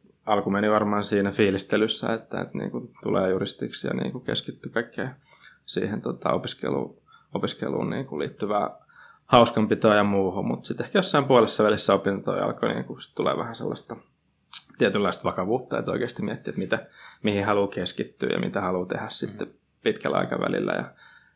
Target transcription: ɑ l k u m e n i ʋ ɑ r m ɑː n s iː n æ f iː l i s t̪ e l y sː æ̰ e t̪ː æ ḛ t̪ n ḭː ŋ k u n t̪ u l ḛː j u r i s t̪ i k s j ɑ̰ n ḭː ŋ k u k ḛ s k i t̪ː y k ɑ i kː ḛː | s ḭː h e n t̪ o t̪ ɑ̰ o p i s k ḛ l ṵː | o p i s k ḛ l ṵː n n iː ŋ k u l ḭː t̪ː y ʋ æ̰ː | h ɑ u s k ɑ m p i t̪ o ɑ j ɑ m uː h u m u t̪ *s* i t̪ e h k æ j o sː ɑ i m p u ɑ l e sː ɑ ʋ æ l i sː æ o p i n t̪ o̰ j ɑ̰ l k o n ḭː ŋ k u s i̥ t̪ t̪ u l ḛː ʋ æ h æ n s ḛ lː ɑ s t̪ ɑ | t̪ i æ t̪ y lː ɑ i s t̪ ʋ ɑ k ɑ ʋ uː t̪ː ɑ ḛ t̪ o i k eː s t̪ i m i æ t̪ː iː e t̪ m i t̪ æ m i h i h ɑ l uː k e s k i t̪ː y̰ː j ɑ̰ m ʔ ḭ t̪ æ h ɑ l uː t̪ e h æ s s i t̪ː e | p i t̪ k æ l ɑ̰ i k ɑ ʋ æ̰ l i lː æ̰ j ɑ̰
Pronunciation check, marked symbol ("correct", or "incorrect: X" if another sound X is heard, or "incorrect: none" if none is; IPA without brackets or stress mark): correct